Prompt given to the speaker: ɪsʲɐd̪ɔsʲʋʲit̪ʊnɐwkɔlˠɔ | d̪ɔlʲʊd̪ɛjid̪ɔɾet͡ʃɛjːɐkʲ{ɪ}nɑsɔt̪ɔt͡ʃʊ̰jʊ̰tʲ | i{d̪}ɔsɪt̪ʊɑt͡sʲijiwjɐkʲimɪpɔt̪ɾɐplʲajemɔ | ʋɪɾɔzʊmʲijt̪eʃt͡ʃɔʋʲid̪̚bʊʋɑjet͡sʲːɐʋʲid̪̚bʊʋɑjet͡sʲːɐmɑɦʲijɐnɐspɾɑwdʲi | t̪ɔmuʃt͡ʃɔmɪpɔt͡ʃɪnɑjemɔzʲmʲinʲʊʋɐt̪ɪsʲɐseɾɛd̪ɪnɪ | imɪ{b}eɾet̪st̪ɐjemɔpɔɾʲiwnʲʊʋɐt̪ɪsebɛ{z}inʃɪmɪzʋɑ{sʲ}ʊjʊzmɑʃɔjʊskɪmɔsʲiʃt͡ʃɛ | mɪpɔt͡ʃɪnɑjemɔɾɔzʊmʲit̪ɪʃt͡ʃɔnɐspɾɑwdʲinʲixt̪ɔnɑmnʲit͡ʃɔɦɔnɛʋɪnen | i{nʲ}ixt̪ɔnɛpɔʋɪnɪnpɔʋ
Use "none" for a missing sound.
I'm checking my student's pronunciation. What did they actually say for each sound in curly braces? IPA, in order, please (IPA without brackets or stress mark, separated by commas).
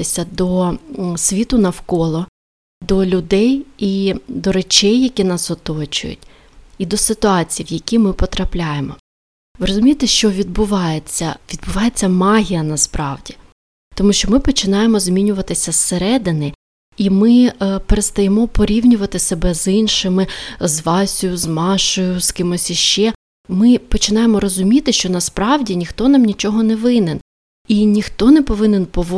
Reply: i, d̪, p, z, sʲ, nʲ